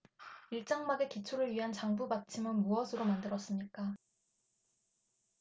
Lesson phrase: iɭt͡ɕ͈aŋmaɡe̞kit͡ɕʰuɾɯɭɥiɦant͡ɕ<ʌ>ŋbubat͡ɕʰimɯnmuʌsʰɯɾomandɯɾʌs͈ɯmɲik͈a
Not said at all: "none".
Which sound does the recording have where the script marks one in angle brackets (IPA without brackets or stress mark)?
a